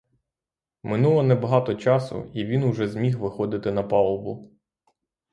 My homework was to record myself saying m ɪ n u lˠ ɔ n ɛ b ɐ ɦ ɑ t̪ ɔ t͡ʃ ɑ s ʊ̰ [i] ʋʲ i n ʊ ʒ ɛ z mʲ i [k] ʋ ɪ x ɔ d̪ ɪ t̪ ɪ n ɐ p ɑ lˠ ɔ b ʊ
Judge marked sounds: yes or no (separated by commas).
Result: yes, no